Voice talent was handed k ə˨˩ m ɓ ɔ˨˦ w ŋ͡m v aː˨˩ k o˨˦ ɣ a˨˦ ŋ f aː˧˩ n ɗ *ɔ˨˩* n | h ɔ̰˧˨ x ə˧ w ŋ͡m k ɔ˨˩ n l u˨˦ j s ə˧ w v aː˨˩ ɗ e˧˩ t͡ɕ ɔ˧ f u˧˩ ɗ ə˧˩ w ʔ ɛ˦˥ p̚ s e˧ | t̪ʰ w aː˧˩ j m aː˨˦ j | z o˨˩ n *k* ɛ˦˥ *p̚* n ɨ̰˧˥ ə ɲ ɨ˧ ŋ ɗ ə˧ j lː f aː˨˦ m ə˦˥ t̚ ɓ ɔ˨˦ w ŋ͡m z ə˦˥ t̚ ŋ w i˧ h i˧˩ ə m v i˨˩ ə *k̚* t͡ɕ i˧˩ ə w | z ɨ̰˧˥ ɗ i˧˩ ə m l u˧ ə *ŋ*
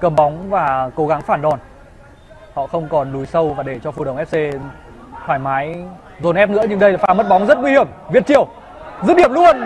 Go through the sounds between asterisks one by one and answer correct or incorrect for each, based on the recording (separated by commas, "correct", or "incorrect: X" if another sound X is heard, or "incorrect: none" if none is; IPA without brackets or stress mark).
correct, incorrect: ʔ, correct, incorrect: t̚, incorrect: n